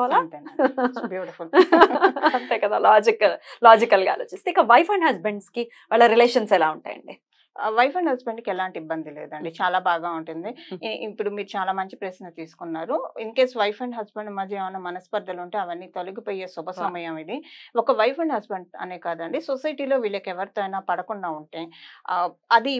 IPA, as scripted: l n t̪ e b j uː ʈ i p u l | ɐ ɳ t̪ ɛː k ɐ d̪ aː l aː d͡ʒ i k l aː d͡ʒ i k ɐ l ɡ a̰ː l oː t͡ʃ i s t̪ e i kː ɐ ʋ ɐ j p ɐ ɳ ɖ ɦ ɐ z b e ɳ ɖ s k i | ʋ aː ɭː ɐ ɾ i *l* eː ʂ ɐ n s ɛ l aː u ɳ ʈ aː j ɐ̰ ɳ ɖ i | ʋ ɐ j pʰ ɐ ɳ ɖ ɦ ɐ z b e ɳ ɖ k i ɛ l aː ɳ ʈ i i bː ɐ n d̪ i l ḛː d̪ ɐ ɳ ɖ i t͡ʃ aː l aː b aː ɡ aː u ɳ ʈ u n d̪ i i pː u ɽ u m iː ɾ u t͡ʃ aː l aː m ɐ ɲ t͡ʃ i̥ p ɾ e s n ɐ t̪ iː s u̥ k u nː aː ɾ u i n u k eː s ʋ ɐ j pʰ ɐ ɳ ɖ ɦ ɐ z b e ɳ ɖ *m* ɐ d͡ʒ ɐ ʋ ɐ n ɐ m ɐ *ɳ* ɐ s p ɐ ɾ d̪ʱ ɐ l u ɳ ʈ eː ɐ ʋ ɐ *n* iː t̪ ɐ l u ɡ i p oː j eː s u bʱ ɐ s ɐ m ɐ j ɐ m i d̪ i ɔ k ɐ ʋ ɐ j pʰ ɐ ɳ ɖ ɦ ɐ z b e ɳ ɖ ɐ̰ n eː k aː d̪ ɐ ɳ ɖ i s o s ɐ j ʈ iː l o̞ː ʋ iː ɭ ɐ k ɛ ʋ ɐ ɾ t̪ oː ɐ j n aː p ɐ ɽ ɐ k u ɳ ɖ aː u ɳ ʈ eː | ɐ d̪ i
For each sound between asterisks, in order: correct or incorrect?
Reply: correct, correct, incorrect, incorrect

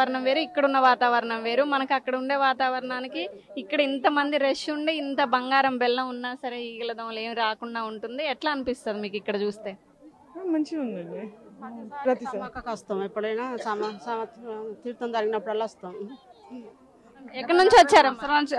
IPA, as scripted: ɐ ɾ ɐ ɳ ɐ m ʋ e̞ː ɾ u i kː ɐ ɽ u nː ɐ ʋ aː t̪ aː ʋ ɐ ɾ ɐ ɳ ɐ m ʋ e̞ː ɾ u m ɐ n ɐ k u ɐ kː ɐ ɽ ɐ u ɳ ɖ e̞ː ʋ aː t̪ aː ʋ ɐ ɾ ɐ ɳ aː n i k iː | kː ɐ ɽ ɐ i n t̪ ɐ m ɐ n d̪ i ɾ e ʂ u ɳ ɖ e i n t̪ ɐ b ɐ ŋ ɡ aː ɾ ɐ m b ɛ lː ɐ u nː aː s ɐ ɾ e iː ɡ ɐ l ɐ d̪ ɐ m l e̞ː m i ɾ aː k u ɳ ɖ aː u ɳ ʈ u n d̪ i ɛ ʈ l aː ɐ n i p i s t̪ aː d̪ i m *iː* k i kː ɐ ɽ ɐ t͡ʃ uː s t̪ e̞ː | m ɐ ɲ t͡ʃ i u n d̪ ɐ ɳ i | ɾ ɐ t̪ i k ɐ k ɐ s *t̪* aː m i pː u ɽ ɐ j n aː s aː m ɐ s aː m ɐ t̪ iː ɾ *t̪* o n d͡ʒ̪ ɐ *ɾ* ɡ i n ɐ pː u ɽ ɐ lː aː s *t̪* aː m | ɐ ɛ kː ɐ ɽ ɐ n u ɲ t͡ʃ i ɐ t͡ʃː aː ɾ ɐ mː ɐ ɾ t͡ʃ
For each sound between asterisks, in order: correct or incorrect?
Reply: correct, correct, correct, correct, correct

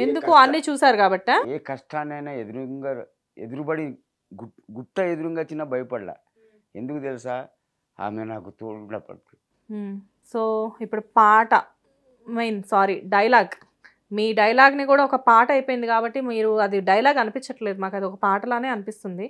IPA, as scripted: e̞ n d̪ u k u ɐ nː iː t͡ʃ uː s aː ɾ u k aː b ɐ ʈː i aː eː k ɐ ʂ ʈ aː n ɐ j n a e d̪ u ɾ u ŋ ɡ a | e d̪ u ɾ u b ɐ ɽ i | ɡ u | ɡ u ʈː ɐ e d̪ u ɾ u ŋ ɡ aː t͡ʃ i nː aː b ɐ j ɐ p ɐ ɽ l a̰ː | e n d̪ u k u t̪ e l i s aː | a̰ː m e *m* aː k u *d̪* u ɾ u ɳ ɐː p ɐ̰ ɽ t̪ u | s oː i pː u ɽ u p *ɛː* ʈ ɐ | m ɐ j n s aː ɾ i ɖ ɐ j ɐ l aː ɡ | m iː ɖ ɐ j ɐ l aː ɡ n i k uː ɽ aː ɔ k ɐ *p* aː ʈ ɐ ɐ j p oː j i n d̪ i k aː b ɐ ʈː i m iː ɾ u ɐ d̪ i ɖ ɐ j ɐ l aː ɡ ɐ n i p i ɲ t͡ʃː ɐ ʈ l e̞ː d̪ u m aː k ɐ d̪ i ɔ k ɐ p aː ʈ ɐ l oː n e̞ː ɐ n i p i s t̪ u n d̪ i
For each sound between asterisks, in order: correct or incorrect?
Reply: incorrect, incorrect, incorrect, correct

